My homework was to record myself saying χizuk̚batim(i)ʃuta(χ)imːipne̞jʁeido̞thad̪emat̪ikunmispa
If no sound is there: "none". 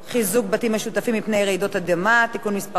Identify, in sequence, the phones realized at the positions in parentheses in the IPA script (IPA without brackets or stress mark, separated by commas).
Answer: e, f